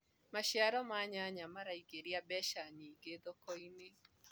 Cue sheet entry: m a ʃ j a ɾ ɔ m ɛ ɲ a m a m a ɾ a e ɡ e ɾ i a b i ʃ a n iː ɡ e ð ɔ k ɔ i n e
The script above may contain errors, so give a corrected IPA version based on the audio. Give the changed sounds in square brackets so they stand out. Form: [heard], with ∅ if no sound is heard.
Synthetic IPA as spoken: m a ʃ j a ɾ ɔ m [a] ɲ a [ɲ] a m a ɾ a [i] ɡ e ɾ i a b [ɛ] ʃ a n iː ɡ e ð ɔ k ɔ i n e